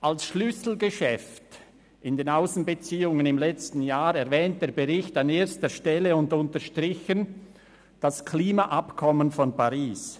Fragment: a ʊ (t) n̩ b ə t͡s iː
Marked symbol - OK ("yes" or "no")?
no